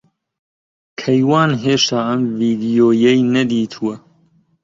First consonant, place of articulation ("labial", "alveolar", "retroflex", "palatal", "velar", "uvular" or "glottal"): velar